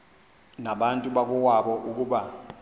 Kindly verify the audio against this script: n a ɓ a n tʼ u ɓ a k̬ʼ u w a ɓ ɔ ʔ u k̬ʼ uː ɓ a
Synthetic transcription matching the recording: n a ɓ a n tʼ u ɓ a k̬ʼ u w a ɓ ɔ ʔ u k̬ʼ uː ɓ a